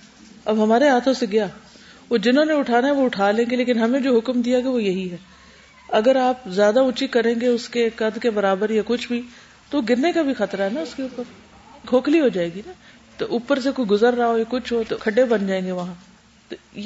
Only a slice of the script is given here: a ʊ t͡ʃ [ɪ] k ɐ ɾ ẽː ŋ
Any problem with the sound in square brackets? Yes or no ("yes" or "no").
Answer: yes